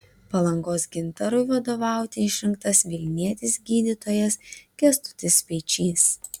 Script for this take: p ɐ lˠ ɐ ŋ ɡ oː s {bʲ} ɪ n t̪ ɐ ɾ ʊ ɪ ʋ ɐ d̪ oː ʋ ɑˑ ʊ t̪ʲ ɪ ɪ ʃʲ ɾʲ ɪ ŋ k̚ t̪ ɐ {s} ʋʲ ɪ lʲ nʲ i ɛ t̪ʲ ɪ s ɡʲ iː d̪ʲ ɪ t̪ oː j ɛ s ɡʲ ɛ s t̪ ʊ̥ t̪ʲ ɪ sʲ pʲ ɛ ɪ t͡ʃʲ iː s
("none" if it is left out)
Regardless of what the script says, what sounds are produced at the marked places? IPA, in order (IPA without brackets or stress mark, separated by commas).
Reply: ɡʲ, s